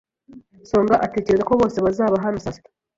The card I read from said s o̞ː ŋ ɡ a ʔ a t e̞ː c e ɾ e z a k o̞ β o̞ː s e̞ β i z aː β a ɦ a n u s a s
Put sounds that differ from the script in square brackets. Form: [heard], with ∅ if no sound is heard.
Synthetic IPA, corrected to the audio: s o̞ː ŋ ɡ a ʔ a t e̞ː c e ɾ e z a k o̞ β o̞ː s e̞ β [a] z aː β a ɦ a n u s a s